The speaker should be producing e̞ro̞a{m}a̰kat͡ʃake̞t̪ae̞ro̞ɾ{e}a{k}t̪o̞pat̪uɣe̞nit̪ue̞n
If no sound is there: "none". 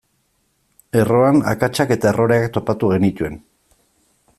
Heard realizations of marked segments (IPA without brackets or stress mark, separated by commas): n, e, k